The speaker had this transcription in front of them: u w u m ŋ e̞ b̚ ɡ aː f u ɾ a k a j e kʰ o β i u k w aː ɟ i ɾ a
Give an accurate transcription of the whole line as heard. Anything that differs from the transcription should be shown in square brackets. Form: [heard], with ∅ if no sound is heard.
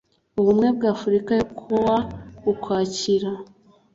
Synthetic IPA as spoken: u [β] u m ŋ e̞ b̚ ɡ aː f u ɾ [i] k a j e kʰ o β [a] u k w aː [c] i ɾ a